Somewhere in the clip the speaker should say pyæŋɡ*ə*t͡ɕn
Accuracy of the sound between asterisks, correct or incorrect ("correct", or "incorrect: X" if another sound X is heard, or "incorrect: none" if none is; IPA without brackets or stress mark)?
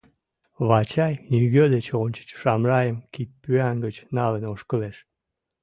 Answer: correct